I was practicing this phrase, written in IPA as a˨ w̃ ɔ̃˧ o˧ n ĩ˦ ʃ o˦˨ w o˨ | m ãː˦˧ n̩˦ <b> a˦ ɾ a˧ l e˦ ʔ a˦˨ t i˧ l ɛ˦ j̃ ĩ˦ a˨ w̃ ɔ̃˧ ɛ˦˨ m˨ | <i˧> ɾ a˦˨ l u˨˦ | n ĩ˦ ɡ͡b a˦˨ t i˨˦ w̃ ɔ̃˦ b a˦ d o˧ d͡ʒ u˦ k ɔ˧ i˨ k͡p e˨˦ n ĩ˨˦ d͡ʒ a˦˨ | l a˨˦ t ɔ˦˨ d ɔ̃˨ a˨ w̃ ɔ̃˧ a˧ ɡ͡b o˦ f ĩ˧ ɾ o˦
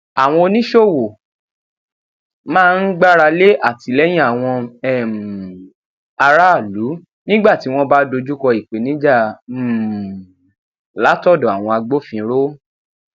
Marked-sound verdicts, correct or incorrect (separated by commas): incorrect, incorrect